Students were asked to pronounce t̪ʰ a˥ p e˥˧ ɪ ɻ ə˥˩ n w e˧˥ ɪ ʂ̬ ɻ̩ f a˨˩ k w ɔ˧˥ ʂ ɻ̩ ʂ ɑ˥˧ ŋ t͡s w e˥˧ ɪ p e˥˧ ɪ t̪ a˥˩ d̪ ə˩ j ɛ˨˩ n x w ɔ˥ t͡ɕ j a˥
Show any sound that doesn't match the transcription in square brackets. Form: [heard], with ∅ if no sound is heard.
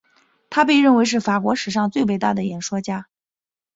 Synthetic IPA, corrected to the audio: t̪ʰ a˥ p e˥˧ ɪ ɻ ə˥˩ n w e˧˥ ɪ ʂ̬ ɻ̩ f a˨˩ k w ɔ˧˥ ʂ ɻ̩ ʂ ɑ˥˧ ŋ t͡s w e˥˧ ɪ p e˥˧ ɪ t̪ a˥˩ d̪ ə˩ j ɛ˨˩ n [ʂ] w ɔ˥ t͡ɕ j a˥